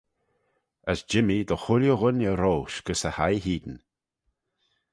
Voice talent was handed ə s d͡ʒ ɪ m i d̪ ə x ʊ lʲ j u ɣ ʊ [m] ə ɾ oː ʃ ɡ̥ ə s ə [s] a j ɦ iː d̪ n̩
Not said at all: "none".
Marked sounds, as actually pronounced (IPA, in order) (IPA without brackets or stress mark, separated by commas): n, h